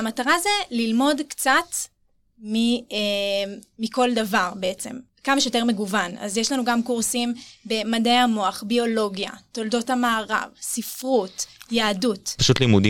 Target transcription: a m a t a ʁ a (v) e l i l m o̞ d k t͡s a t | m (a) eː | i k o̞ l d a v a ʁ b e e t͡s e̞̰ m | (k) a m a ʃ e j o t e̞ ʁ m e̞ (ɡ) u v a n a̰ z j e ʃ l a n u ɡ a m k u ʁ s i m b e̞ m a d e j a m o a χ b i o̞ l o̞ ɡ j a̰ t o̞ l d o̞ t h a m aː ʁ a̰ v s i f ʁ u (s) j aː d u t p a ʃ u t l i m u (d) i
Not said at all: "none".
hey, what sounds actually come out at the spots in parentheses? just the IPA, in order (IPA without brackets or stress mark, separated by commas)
z, i, k, ɡ, t, d